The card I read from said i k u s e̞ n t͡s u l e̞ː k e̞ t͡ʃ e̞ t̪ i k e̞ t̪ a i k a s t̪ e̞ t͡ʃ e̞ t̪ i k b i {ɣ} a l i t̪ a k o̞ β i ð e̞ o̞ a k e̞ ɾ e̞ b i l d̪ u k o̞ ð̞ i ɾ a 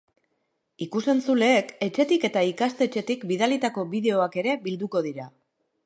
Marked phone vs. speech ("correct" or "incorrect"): incorrect